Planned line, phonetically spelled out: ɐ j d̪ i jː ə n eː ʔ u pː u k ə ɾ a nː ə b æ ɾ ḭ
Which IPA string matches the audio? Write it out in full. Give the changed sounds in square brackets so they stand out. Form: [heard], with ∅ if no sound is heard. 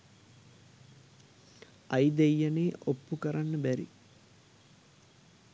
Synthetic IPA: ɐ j d̪ [e] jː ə n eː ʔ [o] pː u k ə ɾ a nː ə b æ ɾ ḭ